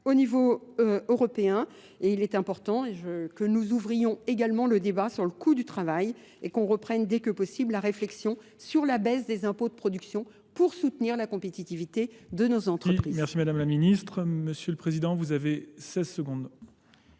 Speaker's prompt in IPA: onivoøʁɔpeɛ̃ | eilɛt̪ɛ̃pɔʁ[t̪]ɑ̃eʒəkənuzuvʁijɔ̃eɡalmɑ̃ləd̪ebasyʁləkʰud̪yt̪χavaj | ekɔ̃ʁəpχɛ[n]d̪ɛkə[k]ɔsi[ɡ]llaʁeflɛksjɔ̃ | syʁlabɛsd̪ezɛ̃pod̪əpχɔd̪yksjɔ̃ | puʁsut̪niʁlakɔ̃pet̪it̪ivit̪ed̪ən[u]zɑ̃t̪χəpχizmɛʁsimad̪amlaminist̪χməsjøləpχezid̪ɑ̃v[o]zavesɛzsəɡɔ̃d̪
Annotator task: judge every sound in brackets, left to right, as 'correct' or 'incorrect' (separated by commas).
correct, correct, incorrect, incorrect, incorrect, incorrect